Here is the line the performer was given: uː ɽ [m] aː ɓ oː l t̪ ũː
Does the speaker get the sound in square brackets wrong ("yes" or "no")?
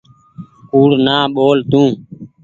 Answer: yes